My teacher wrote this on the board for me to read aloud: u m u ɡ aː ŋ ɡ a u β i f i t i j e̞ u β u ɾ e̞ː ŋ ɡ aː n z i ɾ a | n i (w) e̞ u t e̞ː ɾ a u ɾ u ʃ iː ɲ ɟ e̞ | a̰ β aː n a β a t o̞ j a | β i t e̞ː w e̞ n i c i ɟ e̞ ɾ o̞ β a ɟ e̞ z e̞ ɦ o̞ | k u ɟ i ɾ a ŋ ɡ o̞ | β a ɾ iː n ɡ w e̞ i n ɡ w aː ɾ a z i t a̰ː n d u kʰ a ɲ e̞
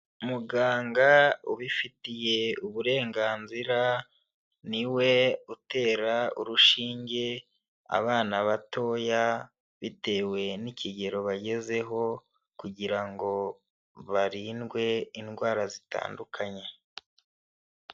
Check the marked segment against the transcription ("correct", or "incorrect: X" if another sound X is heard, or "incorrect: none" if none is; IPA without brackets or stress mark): correct